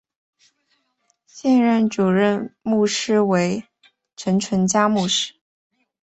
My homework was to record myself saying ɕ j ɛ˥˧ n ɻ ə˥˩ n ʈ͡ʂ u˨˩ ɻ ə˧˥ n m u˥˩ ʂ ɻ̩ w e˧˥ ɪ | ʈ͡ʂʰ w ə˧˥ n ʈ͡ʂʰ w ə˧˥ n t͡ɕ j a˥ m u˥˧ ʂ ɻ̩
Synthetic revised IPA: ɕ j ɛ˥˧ n ɻ ə˥˩ n ʈ͡ʂ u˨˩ ɻ ə˥˧ n m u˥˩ ʂ ɻ̩ w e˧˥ ɪ | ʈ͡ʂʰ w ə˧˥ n ʈ͡ʂʰ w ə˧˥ n t͡ɕ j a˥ m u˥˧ ʂ ɻ̩